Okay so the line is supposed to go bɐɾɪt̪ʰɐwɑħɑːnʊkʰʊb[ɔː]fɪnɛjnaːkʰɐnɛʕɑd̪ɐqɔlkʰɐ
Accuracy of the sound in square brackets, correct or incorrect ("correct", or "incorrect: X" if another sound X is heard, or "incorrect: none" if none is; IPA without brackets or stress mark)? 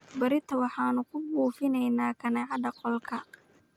incorrect: uː